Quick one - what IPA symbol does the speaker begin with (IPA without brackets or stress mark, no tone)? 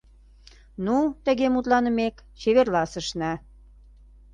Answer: n